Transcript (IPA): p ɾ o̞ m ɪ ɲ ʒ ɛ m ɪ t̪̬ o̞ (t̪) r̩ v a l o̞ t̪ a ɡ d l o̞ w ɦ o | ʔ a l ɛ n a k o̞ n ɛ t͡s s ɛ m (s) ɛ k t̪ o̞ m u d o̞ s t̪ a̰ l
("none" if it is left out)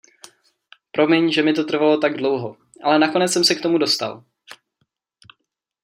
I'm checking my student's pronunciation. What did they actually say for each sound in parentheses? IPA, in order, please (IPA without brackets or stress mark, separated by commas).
t̪, s